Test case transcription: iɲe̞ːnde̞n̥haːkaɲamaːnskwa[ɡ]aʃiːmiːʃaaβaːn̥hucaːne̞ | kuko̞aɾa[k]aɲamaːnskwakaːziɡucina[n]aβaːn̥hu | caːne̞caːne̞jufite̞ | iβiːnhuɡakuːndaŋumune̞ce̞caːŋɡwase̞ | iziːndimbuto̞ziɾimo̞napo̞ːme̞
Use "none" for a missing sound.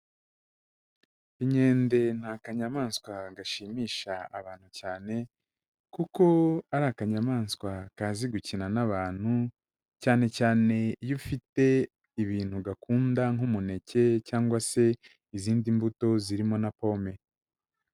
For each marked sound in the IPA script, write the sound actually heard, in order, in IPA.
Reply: ɡ, k, n

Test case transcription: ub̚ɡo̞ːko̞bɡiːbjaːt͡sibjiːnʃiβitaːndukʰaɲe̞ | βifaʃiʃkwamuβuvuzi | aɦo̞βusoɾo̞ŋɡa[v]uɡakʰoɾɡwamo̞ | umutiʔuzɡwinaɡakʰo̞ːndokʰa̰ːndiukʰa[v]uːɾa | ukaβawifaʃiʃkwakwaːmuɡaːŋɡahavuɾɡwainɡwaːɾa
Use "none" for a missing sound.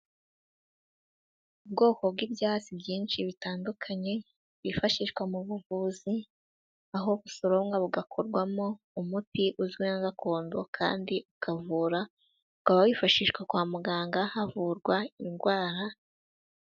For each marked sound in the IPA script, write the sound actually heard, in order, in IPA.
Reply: β, v

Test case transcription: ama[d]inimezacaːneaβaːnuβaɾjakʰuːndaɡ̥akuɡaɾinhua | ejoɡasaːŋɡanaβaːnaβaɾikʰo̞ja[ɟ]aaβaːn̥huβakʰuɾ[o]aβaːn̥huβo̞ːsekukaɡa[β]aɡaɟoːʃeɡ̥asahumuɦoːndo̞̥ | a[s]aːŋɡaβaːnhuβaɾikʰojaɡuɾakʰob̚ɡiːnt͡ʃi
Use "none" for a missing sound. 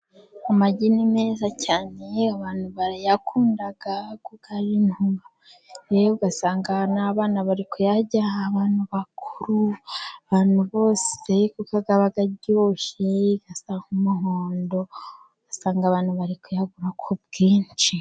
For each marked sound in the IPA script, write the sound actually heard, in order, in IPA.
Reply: ɟ, ɟ, u, β, s

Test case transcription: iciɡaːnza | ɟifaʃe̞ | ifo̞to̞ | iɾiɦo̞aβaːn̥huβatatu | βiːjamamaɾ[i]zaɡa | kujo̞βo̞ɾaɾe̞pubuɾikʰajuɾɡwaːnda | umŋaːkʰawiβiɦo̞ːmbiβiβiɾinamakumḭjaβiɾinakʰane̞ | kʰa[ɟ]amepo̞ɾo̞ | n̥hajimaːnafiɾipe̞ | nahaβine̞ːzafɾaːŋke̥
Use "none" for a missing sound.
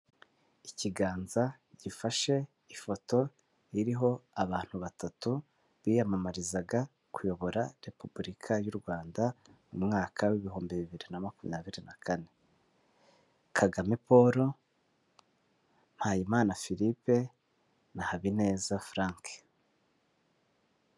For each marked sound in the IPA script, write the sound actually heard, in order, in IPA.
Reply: i, ɡ

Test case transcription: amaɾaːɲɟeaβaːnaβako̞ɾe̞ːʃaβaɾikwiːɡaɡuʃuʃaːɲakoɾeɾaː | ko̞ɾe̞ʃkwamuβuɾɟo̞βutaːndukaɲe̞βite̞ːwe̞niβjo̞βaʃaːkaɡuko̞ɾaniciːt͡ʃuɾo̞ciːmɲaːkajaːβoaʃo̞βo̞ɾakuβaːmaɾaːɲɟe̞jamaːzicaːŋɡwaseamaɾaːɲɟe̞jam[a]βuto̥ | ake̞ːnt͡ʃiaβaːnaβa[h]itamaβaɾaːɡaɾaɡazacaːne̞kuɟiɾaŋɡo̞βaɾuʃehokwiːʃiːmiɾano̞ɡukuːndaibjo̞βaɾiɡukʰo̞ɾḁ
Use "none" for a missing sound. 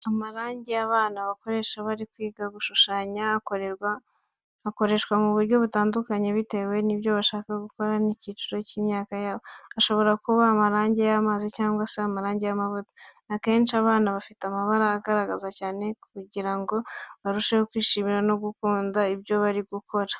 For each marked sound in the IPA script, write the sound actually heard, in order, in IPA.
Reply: a, f

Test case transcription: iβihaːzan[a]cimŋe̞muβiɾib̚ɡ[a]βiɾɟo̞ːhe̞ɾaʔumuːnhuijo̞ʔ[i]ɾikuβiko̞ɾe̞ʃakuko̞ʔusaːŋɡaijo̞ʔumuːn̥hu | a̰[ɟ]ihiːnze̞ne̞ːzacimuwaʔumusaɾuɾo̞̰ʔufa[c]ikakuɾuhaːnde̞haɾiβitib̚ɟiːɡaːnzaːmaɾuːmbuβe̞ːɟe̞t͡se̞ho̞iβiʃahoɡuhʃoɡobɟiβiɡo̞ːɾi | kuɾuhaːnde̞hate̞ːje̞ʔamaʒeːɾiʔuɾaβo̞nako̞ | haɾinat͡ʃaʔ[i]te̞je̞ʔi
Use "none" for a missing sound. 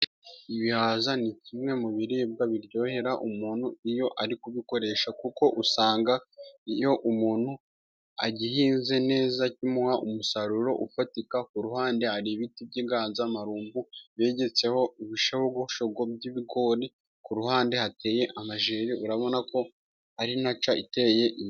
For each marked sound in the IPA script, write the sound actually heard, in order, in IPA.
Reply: i, a, a, ɟ, t, i

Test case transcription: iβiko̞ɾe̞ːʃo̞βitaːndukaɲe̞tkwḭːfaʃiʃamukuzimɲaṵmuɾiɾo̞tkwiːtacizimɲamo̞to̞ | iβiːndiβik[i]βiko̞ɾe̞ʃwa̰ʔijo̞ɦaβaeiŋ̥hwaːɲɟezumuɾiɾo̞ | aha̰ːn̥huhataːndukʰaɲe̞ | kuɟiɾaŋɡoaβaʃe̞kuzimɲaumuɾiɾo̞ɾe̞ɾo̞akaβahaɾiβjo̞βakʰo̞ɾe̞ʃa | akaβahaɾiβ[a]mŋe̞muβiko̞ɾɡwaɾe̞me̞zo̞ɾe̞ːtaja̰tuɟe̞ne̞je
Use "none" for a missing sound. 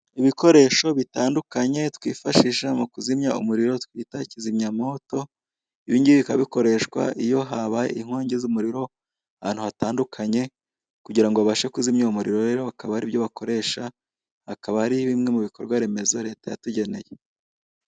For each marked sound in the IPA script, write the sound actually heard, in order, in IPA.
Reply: a, i

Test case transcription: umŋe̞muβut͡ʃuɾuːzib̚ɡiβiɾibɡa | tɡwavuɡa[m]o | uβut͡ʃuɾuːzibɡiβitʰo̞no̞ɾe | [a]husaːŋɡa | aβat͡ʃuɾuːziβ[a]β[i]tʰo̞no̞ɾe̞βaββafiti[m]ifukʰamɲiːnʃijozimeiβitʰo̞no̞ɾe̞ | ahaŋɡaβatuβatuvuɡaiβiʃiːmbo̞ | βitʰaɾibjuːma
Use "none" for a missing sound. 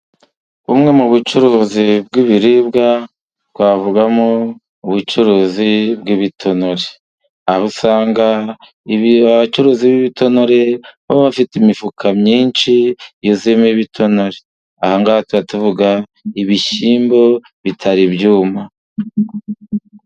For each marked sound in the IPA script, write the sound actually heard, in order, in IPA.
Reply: m, a, i, i, m

